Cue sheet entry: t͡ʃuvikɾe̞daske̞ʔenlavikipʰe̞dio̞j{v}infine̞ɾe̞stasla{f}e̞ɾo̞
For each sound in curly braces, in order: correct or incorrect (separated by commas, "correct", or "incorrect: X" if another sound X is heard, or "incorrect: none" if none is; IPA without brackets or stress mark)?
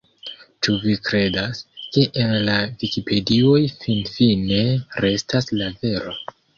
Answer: incorrect: f, incorrect: v